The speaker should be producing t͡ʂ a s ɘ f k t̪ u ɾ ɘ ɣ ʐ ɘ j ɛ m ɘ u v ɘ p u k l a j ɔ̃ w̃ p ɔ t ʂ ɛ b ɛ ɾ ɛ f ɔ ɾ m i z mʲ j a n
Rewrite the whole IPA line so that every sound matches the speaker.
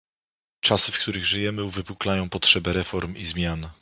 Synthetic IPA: t͡ʂ a s ɘ f k t̪ u ɾ ɘ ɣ ʐ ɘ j ɛ m ɘ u v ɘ p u k l a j ɔ̃ w̃ p ɔ t ʂ ɛ b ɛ ɾ ɛ f ɔ ɾ m i z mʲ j a n

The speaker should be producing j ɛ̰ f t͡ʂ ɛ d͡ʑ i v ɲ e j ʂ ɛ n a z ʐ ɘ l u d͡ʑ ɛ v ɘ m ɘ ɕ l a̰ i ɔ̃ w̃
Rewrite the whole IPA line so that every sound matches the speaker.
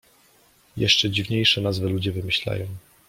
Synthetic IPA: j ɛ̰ ʂ t͡ʂ ɛ d͡ʑ i v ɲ e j ʂ ɛ n a z v ɘ l u d͡ʑ ɛ v ɘ m ɘ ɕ l a̰ j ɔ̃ w̃

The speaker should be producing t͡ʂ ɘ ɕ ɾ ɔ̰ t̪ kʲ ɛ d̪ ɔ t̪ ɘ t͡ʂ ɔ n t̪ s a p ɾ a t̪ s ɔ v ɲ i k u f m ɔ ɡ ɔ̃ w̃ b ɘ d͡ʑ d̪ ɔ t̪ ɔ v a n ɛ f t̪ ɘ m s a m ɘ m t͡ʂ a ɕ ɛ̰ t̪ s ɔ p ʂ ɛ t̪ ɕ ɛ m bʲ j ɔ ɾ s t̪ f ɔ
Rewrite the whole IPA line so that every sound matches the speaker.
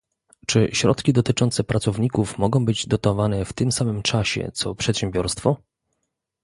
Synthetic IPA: t͡ʂ ɘ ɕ ɾ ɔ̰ t̪ kʲ i d̪ ɔ t̪ ɘ t͡ʂ ɔ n t̪ s ɛ p ɾ a t̪ s ɔ v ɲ i k u f m ɔ ɡ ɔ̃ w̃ b ɘ d͡ʑ d̪ ɔ t̪ ɔ v a n ɛ f t̪ ɘ m s a m ɘ m t͡ʂ a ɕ ɛ̰ t̪ s ɔ p ʂ ɛ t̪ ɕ ɛ m bʲ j ɔ ɾ s t̪ f ɔ

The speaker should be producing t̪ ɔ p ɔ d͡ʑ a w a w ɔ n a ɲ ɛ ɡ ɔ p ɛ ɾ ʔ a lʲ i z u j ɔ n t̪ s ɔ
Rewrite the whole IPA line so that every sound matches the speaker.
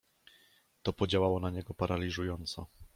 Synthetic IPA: t̪ ɔ p ɔ d͡ʑ a w a w ɔ n a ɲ ɛ ɡ ɔ p a ɾ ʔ a lʲ i ʐ u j ɔ n t̪ s ɔ

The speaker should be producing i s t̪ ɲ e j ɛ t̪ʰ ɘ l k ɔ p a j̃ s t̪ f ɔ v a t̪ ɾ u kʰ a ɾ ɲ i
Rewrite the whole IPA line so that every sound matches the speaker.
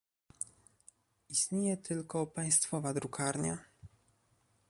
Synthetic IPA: i s t̪ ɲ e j ɛ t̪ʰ ɘ l k ɔ p a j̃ s t̪ f ɔ v a d̪ ɾ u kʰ a ɾ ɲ a

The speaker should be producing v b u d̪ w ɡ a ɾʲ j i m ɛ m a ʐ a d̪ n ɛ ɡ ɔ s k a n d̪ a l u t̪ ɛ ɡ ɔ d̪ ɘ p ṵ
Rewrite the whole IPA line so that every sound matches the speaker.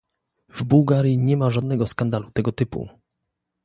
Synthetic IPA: v b u w ɡ a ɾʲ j i ɲ ɛ m a ʐ a d̪ n ɛ ɡ ɔ s k a n d̪ a l u t̪ ɛ ɡ ɔ t̪ ɘ p ṵ

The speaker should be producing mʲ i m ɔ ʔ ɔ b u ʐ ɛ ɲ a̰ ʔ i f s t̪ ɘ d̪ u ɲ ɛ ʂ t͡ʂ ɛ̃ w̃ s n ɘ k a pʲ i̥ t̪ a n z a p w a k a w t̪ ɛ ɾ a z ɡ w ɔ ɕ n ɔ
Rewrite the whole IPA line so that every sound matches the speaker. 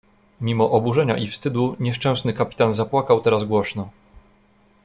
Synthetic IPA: mʲ i m ɔ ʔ ɔ b u ʐ ɛ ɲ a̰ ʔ i f s t̪ ɘ d̪ u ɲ ɛ ʂ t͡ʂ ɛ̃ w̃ s n ɘ k a pʲ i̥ t̪ a n z a p w a k a w t̪ ɛ ɾ a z ɡ w ɔ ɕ n ɔ

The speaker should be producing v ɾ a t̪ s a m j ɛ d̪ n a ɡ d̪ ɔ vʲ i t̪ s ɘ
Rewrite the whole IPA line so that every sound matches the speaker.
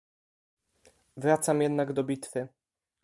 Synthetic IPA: v ɾ a t̪ s a m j ɛ d̪ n a ɡ d̪ ɔ bʲ i t̪ f ɘ

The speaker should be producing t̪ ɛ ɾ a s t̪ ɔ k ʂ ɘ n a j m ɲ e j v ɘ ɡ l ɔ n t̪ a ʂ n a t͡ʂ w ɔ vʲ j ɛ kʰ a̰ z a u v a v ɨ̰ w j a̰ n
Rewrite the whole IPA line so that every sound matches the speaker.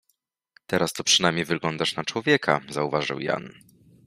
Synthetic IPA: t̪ ɛ ɾ a s t̪ ɔ p ʂ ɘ n a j m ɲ e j v ɘ ɡ l ɔ n d̪ a ʂ n a t͡ʂ w ɔ vʲ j ɛ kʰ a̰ z a u v a ʐ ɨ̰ w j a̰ n

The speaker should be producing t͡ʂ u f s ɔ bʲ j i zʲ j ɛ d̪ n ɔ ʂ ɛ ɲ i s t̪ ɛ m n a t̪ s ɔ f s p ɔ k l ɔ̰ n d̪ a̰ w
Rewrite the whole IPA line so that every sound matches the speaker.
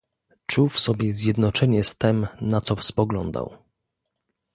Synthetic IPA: t͡ʂ u f s ɔ bʲ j ɛ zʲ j ɛ d̪ n ɔ t͡ʂ ɛ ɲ ɛ s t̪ ɛ m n a t̪ s ɔ f s p ɔ ɡ l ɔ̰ n d̪ a̰ w

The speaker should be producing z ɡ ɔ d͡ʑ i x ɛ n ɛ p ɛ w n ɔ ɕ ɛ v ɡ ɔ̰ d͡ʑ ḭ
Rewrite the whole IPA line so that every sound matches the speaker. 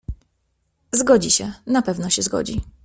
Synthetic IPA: z ɡ ɔ d͡ʑ i ɕ ɛ n a p ɛ v n ɔ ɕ ɛ z ɡ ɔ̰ d͡ʑ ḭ

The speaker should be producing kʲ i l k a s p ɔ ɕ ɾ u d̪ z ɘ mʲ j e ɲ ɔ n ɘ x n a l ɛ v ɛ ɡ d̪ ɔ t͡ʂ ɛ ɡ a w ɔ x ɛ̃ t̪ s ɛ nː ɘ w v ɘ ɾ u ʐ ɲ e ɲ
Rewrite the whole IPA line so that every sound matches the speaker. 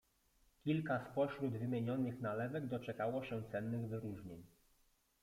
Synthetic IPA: kʲ i l k a s p ɔ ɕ ɾ u d̪ v ɘ mʲ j e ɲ ɔ n ɘ x n a l ɛ v ɛ ɡ d̪ ɔ t͡ʂ ɛ k a w ɔ ɕ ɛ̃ t̪ s ɛ nː ɘ ɣ v ɘ ɾ u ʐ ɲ e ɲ

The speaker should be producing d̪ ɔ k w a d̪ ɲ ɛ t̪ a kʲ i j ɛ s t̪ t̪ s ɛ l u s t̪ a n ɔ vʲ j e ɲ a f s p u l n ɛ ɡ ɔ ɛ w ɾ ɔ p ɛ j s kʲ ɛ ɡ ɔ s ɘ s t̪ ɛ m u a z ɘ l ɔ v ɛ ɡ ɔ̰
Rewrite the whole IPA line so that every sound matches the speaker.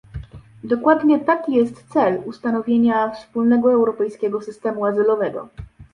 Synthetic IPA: d̪ ɔ k w a d̪ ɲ ɛ t̪ a kʲ i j ɛ s t̪ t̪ s ɛ l u s t̪ a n ɔ vʲ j e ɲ a f s p u l n ɛ ɡ ɔ ɛ w ɾ ɔ p ɛ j s kʲ ɛ ɡ ɔ s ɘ s t̪ ɛ m u a z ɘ l ɔ v ɛ ɡ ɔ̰

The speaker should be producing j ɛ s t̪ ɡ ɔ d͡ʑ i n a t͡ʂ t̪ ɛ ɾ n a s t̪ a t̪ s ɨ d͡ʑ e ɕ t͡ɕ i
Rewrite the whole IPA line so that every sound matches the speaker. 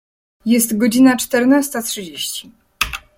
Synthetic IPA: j ɛ s t̪ ɡ ɔ d͡ʑ i n a t͡ʂ t̪ ɛ ɾ n a s t̪ a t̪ ʂ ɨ d͡ʑ e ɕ t͡ɕ i

